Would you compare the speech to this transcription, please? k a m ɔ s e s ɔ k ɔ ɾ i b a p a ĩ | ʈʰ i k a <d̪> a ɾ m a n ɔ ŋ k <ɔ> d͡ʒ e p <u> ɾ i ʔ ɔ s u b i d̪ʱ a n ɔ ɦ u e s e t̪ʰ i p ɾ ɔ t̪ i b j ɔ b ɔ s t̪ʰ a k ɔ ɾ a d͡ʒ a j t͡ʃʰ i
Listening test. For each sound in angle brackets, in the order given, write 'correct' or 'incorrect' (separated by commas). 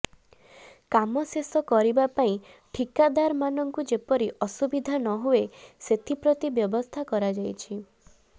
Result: correct, incorrect, incorrect